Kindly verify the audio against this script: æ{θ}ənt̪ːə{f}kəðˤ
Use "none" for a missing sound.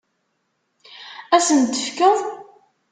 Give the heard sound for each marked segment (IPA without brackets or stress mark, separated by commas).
s, f